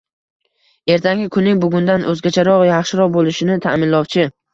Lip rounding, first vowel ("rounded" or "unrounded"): unrounded